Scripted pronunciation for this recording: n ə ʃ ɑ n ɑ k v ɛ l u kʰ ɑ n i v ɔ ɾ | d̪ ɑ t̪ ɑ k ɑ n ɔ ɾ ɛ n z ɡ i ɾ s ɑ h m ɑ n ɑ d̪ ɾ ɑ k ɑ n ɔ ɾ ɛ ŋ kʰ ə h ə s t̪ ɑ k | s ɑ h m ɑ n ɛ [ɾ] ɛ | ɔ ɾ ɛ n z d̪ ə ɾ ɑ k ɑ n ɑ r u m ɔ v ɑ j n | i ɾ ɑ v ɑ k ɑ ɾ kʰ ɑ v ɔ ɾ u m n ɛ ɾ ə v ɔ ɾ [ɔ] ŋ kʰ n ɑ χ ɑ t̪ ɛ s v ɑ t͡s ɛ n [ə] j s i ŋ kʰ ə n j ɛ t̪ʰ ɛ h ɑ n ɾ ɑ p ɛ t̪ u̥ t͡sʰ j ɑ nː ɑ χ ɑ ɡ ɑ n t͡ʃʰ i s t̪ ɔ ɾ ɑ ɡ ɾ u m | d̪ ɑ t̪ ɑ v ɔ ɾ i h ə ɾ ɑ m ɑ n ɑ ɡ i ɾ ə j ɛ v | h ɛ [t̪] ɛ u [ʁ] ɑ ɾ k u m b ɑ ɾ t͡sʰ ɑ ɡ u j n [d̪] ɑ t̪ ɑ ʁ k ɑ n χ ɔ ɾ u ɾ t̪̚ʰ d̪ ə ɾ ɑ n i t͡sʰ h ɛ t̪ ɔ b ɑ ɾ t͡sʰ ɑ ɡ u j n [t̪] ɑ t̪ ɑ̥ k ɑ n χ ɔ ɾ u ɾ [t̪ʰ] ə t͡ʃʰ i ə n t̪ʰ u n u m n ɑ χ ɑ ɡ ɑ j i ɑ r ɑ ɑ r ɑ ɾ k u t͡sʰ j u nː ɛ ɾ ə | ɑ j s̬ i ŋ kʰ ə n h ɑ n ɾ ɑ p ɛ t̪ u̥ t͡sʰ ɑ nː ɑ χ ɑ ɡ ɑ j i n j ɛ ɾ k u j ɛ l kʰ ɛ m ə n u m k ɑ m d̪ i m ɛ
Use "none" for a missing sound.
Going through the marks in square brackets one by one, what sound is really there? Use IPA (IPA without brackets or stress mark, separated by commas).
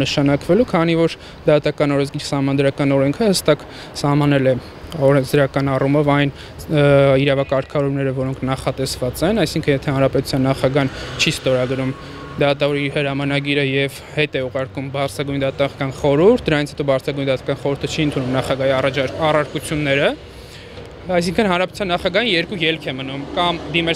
l, ɔ, ɑ, t̪, ʁ, d̪, d̪, t̪ʰ